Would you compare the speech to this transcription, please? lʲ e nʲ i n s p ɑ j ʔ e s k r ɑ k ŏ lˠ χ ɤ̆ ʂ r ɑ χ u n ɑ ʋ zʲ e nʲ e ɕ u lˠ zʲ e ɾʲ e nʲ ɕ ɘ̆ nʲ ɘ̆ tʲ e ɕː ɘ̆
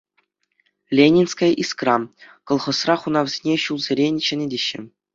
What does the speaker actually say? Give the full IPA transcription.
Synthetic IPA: lʲ e nʲ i n s k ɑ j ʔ i s k r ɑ k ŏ lˠ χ ɤ̆ s r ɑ χ u n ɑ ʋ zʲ e nʲ e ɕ u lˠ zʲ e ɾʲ e nʲ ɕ ɘ̆ nʲ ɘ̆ dʲ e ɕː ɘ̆